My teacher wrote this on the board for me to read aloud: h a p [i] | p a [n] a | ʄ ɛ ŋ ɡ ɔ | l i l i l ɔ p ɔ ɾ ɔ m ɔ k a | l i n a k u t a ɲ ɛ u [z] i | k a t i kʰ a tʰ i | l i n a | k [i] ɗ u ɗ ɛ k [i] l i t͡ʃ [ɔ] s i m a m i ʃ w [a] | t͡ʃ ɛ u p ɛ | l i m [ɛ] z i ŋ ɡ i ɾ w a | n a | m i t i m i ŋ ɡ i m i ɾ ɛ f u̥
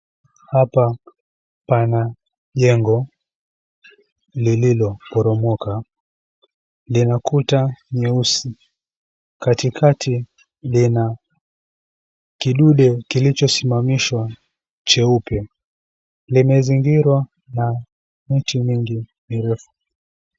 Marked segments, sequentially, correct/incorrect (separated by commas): incorrect, correct, incorrect, correct, correct, correct, correct, correct